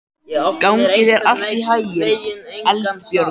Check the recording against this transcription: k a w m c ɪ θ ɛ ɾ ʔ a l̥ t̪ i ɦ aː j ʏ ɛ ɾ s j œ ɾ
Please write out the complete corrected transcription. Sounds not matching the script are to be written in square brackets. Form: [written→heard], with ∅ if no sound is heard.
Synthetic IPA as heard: k a w [m→ŋ] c ɪ [θ→ð] ɛ ɾ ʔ a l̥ t̪ i ɦ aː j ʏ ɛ [ɾ→l] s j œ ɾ